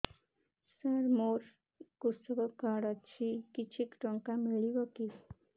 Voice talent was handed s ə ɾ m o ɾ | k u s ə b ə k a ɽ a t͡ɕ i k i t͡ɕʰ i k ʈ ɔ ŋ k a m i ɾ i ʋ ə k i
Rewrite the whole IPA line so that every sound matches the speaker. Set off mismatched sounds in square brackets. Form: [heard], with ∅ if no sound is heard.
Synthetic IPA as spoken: s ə ɾ m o ɾ | k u s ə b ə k a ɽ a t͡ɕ i k i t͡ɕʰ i k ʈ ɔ ŋ k a m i [ɭ] i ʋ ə k i